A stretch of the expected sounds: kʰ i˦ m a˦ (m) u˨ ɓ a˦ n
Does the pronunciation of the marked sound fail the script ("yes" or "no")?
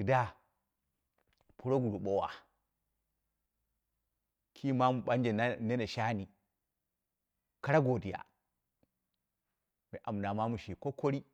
no